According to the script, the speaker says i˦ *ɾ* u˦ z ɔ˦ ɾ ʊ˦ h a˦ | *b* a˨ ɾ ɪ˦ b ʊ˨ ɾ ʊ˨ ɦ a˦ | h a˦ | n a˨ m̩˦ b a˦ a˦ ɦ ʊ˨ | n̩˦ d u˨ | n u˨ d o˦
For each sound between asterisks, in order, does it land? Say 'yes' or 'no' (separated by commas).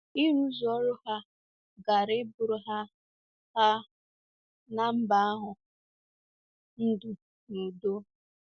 yes, no